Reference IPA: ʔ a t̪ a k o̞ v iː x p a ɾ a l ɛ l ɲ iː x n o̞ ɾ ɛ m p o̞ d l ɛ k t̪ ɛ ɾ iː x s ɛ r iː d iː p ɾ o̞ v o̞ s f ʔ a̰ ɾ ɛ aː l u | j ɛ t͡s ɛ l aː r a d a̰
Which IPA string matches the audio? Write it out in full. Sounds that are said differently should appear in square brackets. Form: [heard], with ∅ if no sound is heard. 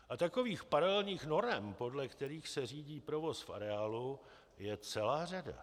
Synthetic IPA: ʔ a t̪ a k o̞ v iː x p a ɾ a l ɛ l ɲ iː x n o̞ ɾ ɛ m p o̞ d l ɛ k t̪ ɛ ɾ iː x s ɛ r iː [ɟ] iː p ɾ o̞ v o̞ s f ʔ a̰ ɾ ɛ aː l u | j ɛ t͡s ɛ l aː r a d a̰